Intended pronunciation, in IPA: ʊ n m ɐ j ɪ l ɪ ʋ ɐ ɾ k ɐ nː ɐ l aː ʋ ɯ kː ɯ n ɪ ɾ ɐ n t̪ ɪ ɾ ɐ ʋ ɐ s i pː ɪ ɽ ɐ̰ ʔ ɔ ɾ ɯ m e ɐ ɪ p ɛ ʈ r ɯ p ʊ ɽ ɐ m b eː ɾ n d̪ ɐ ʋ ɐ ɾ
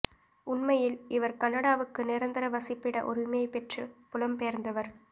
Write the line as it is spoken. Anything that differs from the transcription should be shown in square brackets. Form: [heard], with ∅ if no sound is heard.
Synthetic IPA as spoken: ʊ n m ɐ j ɪ l ɪ ʋ ɐ ɾ k ɐ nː ɐ [ɽ] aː ʋ ɯ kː ɯ n ɪ ɾ ɐ n [d̪] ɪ ɾ ɐ ʋ ɐ s [ɪ] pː ɪ ɽ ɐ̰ ʔ ɔ ɾ ɯ m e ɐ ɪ p ɛ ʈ r ɯ p ʊ [l] ɐ m [p] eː ɾ n d̪ ɐ ʋ ɐ ɾ